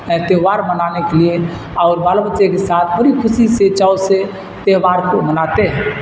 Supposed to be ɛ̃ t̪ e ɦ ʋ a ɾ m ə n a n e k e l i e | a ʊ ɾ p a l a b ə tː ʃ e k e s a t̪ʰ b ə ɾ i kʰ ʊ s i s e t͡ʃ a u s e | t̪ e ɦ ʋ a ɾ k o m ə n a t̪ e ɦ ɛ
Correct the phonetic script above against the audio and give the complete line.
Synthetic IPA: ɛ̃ t̪ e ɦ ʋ a ɾ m ə n a n e k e l i e | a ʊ ɾ b a l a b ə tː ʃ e k e s a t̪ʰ b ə ɾ i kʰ ʊ s i s e t͡ʃ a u s e | t̪ e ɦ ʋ a ɾ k o m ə n a t̪ e ɦ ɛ